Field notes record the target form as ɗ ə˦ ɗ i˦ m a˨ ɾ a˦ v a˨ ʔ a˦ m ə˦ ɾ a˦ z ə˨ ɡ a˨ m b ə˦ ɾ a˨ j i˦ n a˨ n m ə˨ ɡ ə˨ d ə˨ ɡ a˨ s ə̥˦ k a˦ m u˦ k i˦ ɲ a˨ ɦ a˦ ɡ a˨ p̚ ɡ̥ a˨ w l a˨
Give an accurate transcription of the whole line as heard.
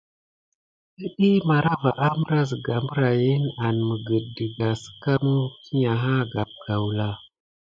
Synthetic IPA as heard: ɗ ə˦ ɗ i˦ m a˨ ɾ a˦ v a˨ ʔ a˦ m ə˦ ɾ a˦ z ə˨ ɡ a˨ m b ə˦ ɾ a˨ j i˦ n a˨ n m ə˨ ɡ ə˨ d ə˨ ɡ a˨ s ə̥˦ k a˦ m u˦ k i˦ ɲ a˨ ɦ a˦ ɡ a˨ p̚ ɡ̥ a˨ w l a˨